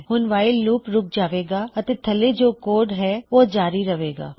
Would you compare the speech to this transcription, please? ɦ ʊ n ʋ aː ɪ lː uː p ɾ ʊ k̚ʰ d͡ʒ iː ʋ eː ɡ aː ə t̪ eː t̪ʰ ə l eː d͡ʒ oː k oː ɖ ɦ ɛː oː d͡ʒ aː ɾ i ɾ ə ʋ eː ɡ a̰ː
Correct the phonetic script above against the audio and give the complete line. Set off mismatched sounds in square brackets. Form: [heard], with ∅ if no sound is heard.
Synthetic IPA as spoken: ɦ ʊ n ʋ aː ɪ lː uː p ɾ ʊ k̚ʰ d͡ʒ [aː] ʋ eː ɡ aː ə t̪ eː t̪ʰ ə l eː d͡ʒ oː k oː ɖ ɦ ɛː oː d͡ʒ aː ɾ i ɾ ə ʋ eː ɡ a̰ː